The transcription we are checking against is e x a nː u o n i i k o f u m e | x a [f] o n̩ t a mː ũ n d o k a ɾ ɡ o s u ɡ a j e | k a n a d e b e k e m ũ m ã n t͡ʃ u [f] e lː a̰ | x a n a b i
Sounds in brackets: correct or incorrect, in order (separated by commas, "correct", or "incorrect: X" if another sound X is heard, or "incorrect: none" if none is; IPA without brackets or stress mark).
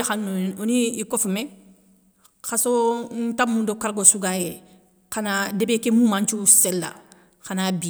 incorrect: s, incorrect: s